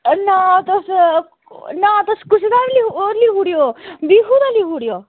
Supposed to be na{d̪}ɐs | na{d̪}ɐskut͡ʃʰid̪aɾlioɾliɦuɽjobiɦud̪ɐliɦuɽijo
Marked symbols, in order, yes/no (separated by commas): no, no